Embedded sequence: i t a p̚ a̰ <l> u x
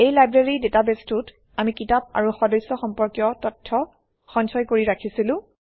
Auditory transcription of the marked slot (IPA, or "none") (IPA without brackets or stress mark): ɹ